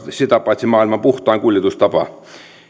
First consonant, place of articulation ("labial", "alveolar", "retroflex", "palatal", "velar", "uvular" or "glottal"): alveolar